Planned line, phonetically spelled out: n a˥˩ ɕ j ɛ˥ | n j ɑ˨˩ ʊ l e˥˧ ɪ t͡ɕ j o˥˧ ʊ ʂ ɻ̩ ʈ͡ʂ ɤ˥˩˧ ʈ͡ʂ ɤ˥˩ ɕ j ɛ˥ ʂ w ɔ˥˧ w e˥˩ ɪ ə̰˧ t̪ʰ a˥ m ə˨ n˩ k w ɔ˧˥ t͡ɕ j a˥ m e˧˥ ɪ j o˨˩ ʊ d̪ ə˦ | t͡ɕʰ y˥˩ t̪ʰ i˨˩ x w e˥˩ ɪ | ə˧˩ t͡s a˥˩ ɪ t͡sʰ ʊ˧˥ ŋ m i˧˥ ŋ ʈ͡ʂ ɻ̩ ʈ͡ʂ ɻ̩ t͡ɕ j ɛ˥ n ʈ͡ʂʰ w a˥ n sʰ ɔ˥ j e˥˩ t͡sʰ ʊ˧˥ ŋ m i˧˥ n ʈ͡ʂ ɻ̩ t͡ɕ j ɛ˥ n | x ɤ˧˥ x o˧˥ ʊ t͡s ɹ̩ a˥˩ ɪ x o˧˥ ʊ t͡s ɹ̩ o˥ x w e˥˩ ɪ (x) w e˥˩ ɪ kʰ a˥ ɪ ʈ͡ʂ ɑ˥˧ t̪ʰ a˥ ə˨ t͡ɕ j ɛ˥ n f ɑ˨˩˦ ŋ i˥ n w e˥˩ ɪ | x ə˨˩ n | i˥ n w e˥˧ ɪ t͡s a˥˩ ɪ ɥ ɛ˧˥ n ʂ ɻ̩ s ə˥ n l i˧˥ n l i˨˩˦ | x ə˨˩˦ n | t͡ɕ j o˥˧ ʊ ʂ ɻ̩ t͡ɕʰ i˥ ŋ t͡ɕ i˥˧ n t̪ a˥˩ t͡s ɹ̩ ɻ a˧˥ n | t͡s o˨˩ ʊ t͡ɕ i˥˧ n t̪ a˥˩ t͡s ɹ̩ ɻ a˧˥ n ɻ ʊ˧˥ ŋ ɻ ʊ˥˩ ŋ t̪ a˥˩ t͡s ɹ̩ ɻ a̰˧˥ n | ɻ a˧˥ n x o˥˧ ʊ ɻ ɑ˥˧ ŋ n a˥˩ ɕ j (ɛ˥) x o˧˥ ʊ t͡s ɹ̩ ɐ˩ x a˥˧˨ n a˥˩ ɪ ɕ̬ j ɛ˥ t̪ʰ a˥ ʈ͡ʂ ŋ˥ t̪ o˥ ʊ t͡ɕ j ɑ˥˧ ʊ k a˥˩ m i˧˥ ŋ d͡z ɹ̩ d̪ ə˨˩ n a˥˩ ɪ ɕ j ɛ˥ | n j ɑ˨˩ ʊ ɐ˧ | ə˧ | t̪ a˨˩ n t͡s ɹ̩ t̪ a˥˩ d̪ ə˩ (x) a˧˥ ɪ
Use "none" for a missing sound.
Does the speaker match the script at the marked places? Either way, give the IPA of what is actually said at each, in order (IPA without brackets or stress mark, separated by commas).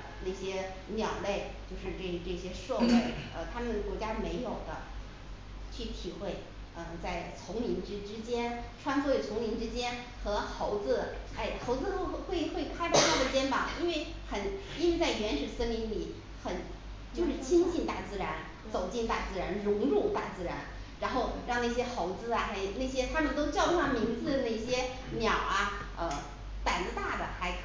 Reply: x, ɛ˥, x